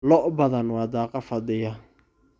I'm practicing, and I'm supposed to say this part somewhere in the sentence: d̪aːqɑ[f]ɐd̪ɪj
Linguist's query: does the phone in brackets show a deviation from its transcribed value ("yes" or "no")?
no